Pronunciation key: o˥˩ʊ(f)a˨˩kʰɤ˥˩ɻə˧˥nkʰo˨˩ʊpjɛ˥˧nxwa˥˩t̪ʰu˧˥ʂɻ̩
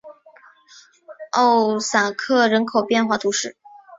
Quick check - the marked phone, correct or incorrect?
incorrect